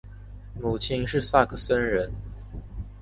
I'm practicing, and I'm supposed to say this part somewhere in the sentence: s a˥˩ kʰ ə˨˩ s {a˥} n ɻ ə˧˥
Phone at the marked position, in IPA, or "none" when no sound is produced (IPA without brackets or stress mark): ə˥